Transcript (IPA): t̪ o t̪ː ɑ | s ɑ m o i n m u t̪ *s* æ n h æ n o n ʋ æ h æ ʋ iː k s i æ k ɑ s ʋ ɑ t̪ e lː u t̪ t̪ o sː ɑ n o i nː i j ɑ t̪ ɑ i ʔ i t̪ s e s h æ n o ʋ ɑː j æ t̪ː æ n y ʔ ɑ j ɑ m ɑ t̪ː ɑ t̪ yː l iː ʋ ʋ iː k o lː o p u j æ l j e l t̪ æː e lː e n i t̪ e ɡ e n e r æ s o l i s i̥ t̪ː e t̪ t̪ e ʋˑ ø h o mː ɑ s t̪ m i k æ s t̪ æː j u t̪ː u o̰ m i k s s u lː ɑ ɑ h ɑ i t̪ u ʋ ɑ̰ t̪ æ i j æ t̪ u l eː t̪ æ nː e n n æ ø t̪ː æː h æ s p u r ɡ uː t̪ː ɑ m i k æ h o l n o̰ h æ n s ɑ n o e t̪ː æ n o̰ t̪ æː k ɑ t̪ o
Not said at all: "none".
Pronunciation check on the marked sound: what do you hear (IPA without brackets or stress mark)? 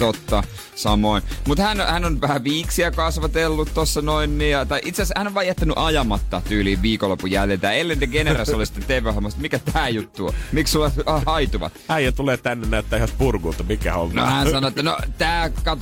h